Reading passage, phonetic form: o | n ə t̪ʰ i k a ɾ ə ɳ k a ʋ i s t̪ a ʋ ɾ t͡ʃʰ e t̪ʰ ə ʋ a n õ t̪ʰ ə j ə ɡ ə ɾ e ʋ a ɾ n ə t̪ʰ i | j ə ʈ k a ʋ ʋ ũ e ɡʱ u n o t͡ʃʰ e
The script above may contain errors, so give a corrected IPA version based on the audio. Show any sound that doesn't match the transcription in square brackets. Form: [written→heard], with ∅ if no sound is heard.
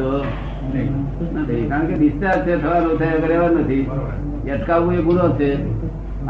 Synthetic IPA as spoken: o | n ə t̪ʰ i k a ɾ ə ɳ k [a→e] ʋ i s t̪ a [ʋ→∅] ɾ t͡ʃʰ e t̪ʰ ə ʋ a n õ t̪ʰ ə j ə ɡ ə ɾ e ʋ a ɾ n ə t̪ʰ i | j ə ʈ k a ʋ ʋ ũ e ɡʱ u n o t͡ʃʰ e